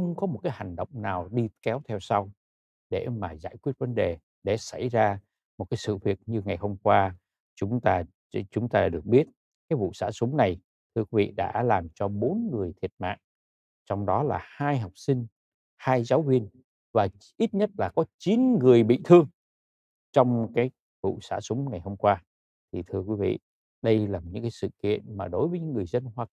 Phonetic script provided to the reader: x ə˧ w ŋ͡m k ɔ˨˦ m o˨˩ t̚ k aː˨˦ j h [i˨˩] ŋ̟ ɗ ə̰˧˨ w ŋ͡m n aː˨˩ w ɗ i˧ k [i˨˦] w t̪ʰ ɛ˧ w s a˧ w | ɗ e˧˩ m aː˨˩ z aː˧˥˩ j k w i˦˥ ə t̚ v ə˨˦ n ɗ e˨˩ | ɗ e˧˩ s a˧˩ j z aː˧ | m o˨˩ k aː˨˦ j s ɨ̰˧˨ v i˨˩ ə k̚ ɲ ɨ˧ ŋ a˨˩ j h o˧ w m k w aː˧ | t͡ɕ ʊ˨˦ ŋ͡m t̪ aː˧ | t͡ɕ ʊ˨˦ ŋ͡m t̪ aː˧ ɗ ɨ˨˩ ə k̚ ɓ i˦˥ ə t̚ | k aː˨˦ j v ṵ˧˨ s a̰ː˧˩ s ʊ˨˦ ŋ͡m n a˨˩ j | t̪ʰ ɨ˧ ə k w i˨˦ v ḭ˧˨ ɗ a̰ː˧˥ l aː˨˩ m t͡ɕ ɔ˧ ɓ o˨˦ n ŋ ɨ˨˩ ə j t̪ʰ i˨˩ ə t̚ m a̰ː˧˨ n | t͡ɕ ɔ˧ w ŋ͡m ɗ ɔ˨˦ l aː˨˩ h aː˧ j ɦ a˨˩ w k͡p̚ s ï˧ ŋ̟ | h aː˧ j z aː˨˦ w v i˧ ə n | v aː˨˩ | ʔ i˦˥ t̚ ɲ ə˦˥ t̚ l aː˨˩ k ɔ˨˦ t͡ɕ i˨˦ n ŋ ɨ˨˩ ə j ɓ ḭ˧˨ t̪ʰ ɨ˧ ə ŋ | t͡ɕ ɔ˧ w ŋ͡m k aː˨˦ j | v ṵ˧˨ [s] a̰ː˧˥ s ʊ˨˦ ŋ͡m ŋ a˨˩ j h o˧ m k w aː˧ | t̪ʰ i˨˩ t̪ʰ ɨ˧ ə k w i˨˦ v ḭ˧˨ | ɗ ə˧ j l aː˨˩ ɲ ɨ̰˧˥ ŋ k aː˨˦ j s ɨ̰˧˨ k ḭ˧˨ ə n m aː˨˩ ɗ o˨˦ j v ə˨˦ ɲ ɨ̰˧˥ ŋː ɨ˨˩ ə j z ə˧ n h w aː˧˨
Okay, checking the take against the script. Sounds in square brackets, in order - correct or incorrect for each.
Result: incorrect, incorrect, correct

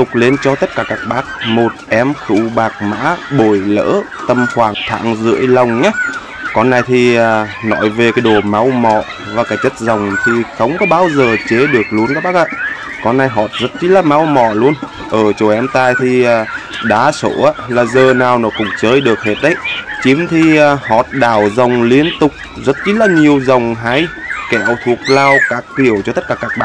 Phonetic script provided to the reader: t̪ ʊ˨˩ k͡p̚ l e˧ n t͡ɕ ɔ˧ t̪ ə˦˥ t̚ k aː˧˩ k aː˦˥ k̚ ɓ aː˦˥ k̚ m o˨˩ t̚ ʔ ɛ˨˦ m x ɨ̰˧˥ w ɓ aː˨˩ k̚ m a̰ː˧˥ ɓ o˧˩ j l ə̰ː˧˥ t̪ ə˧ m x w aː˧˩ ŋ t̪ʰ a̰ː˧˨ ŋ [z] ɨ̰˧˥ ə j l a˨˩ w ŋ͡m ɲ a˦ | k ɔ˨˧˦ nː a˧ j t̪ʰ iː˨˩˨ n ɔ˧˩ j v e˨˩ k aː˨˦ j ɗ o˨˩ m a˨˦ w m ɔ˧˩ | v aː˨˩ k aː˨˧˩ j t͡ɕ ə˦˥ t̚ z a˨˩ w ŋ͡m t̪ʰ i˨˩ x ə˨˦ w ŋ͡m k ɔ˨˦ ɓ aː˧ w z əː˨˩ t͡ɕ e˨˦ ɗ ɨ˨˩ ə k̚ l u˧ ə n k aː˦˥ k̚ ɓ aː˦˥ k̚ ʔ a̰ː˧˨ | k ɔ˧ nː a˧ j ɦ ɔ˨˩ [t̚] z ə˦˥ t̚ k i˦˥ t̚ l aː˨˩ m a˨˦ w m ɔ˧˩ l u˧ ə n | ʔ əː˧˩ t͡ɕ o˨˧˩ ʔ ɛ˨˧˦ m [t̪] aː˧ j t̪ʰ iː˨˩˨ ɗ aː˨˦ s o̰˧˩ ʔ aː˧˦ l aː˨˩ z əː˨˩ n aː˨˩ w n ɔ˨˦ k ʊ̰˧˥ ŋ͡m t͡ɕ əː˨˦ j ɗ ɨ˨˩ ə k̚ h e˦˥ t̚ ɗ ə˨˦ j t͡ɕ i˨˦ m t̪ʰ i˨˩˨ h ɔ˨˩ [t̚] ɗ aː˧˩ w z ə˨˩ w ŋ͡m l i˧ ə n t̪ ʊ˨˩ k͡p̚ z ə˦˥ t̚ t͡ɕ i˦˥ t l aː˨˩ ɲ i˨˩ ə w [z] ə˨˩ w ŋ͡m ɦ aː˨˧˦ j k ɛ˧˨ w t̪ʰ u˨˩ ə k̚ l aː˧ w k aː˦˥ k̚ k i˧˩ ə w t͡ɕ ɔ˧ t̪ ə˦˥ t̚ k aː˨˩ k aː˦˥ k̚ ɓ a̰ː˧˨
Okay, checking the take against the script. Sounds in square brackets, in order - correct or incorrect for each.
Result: correct, correct, correct, correct, correct

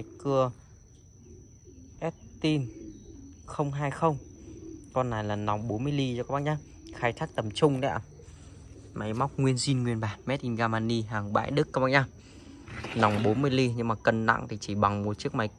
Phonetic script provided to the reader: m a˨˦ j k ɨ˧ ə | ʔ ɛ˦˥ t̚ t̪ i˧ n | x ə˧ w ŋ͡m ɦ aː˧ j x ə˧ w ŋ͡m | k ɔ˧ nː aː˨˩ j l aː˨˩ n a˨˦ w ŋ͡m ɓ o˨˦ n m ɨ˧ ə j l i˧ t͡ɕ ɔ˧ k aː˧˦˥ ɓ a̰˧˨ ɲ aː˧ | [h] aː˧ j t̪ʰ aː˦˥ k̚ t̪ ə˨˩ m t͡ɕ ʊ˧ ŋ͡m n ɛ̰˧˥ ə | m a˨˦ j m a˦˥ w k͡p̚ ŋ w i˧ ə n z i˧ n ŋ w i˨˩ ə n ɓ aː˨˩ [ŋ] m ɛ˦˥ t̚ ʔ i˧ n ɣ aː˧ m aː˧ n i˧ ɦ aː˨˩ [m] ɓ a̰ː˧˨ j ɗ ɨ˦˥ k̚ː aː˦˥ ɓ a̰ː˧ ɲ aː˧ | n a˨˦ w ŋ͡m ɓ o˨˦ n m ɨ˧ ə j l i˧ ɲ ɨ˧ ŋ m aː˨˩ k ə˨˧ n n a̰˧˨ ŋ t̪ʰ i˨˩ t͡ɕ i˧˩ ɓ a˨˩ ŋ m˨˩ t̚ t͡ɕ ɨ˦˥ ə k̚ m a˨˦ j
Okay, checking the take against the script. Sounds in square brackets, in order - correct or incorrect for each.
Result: incorrect, incorrect, incorrect

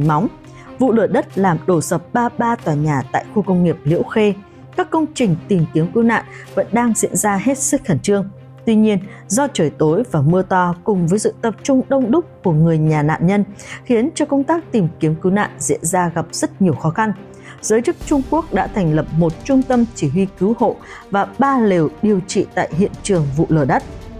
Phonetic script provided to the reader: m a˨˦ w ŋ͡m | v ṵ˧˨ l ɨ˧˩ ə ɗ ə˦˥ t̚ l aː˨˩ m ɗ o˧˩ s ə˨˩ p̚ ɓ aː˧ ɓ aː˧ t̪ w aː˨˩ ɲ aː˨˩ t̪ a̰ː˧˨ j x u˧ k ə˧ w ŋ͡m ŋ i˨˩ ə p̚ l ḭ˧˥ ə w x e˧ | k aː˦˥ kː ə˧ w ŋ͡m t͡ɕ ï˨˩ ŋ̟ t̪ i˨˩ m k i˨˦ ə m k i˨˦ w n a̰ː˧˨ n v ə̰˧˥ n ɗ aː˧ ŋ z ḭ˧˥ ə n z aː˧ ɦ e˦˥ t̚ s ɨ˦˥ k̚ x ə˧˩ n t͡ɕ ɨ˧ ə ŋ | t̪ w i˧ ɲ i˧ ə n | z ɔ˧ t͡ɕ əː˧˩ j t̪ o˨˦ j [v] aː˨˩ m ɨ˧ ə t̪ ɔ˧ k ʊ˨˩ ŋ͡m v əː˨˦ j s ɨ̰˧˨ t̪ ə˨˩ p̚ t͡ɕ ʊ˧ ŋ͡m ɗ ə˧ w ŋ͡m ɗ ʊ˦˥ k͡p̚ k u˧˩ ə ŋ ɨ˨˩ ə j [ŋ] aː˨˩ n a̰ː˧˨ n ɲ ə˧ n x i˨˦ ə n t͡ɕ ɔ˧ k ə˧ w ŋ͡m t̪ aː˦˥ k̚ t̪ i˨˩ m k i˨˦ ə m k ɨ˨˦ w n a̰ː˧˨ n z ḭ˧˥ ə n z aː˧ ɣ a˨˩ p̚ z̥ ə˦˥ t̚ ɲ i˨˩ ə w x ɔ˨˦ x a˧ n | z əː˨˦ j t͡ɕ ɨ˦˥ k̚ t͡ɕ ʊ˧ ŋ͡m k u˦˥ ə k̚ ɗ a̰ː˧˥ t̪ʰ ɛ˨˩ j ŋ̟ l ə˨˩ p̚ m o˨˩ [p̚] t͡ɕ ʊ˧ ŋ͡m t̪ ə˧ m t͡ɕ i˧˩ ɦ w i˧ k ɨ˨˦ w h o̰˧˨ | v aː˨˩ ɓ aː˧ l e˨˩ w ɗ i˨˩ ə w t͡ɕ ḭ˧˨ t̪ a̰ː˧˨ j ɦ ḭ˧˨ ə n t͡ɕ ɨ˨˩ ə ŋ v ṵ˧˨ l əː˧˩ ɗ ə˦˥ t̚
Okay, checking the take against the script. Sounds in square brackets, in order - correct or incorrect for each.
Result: correct, incorrect, incorrect

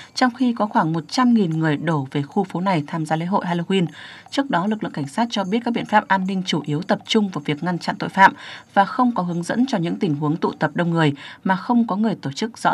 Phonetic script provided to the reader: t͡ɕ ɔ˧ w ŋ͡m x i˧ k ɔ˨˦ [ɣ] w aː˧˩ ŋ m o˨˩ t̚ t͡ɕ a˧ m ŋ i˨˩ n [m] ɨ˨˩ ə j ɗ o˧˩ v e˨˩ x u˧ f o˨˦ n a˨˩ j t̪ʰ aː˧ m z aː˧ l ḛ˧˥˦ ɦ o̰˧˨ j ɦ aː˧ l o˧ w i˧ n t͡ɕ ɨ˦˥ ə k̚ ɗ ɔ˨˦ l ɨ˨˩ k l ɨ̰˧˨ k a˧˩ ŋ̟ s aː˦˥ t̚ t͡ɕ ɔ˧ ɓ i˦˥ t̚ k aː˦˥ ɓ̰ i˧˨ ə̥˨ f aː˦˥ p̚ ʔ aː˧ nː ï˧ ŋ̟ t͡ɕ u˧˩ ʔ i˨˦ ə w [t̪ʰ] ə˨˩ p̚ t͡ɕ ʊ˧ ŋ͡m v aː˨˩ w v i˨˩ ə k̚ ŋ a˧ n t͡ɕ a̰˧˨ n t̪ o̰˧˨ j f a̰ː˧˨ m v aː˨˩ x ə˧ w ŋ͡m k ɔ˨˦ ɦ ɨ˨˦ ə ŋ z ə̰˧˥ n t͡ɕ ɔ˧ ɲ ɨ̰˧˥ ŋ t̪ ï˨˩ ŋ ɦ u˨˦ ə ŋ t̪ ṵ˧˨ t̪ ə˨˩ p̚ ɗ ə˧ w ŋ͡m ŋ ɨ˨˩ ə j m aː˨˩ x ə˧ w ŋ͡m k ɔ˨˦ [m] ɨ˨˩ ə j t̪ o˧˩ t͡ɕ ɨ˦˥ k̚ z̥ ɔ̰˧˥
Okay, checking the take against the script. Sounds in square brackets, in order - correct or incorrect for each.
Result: incorrect, incorrect, incorrect, incorrect

